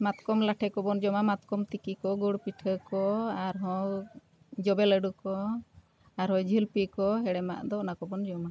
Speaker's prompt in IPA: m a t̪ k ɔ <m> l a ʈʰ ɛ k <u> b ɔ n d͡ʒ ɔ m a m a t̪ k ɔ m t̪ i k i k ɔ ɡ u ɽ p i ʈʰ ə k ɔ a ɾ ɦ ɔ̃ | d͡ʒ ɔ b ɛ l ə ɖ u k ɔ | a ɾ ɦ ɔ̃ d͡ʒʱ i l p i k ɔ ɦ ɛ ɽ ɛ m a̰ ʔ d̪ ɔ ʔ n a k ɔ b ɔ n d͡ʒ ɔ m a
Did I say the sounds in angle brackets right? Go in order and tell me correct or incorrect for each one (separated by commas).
correct, incorrect